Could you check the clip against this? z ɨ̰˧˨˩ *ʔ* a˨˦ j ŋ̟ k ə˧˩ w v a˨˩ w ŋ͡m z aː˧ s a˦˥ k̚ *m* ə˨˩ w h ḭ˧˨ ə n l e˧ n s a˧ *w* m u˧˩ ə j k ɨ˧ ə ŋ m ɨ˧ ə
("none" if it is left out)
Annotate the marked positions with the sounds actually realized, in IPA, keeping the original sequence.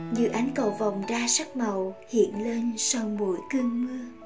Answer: ʔ, m, w

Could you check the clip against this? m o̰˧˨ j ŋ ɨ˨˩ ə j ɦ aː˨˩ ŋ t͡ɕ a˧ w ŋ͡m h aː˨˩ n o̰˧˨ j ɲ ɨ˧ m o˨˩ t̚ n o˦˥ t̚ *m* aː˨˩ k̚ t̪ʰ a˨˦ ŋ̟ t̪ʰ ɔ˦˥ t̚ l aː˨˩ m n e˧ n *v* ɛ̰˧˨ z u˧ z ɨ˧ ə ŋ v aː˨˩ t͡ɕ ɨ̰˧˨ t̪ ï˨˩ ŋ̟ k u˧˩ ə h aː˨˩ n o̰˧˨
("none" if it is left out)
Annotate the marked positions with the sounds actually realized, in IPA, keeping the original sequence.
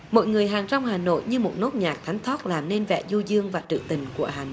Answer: ɲ, v

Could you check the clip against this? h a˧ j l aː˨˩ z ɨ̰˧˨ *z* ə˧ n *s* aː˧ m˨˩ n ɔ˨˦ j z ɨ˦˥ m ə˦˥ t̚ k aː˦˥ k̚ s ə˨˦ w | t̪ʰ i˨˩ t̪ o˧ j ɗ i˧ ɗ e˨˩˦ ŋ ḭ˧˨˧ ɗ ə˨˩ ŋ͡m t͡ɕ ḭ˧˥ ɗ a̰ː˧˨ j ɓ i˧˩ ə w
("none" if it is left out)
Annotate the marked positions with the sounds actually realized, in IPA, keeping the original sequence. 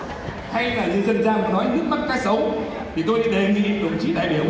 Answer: z, z

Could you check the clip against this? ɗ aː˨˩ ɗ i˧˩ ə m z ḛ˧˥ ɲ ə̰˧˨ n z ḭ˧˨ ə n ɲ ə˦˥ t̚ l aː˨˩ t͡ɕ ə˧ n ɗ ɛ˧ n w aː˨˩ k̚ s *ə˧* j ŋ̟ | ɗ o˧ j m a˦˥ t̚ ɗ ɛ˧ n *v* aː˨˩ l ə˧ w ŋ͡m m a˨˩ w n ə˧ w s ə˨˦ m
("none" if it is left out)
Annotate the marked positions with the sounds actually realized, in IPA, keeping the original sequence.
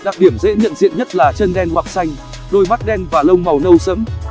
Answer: a˧, v

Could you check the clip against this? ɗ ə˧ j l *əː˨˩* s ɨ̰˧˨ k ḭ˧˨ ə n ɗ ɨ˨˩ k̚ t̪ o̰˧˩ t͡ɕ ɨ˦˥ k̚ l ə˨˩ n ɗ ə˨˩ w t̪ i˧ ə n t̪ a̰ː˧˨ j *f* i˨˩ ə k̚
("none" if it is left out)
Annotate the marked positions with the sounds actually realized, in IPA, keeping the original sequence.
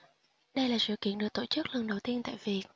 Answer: aː˨˩, v

